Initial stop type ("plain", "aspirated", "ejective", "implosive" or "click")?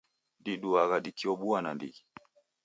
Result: plain